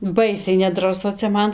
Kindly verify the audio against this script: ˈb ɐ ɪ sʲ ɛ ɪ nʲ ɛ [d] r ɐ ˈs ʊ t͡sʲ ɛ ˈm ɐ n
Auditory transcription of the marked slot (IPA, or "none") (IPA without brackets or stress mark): d